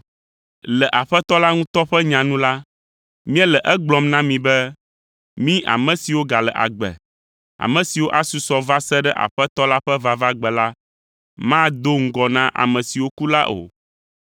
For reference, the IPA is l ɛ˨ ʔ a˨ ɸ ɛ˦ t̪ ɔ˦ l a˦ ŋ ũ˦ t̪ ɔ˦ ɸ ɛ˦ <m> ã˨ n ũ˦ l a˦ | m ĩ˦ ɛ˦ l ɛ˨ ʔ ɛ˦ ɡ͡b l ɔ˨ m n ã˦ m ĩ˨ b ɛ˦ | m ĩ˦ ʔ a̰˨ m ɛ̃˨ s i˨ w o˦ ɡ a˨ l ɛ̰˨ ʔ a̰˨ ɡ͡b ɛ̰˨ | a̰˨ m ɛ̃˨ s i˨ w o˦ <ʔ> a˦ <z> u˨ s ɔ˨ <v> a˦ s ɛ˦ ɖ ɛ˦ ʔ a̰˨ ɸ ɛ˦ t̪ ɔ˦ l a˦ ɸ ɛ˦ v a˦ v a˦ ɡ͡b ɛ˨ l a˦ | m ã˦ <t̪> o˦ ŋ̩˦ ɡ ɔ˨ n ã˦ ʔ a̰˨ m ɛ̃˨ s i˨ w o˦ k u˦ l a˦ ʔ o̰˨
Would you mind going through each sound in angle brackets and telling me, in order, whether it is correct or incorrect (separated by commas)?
incorrect, correct, incorrect, correct, incorrect